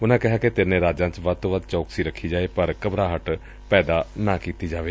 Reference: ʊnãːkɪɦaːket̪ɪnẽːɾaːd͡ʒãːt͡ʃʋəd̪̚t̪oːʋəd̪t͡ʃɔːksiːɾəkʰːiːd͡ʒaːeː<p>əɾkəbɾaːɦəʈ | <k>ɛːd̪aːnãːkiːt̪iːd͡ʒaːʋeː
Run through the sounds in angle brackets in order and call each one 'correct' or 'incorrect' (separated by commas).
correct, incorrect